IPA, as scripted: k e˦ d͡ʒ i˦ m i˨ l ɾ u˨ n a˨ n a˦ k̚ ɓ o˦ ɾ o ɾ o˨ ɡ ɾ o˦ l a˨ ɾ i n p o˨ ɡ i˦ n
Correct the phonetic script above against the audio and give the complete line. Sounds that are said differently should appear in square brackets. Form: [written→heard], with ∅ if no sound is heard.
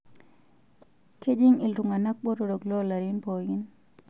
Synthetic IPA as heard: k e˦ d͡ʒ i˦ [m→ŋ] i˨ l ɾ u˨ [n→ŋ] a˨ n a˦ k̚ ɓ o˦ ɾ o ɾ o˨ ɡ [ɾ→l] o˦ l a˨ ɾ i n p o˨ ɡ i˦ n